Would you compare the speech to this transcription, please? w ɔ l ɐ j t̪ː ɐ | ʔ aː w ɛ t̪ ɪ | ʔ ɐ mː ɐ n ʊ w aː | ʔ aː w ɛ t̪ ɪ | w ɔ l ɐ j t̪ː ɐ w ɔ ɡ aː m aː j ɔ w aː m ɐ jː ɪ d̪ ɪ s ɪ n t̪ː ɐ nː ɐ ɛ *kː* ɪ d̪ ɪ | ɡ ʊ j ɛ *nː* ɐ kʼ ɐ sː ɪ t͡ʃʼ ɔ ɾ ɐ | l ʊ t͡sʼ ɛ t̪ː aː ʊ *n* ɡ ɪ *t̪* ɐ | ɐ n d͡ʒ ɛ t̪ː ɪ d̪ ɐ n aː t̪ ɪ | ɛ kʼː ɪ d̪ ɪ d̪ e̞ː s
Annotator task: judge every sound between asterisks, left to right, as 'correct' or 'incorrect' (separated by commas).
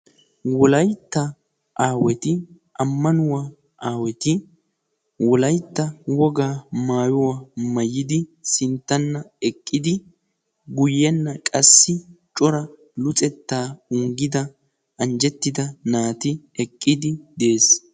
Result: incorrect, correct, incorrect, incorrect